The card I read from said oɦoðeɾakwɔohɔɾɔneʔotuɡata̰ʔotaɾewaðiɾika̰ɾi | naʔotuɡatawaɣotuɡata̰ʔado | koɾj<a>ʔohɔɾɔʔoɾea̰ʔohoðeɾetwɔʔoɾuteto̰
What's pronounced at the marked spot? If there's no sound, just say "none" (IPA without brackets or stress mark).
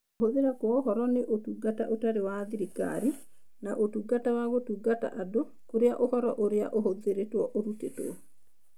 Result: a